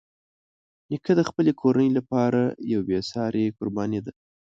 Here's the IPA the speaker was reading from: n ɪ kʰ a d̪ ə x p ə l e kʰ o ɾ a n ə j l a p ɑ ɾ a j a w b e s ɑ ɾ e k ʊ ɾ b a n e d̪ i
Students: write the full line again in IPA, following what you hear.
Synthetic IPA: n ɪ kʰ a d̪ ə x p ə l e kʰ o ɾ a n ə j l a p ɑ ɾ a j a w b e s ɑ ɾ e k ʊ ɾ b ɑ n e d̪ a